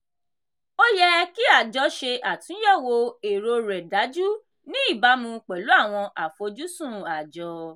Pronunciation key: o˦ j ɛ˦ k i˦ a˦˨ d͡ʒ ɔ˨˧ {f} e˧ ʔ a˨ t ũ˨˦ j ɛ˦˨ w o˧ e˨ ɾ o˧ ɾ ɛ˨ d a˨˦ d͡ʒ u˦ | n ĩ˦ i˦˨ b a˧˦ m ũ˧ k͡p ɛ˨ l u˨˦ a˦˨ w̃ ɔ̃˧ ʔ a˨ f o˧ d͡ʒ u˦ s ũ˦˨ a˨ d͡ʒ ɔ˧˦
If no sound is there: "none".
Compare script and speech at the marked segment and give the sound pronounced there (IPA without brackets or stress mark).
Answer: ʃ